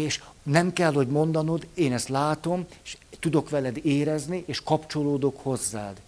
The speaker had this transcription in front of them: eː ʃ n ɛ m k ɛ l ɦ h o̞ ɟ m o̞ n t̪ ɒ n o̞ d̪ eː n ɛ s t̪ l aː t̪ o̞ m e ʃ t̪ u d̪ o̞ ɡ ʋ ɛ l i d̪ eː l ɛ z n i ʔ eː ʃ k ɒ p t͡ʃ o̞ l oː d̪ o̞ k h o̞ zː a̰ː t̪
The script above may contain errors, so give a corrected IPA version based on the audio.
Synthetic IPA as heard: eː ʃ n ɛ m k ɛ l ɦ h o̞ ɟ m o̞ n d̪ ɒ n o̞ d̪ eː n ɛ s t̪ l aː t̪ o̞ m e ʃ t̪ u d̪ o̞ k ʋ ɛ l ɛ d̪ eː ɾ ɛ z n i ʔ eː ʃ k ɒ p t͡ʃ o̞ l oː d̪ o̞ k h o̞ zː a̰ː d̪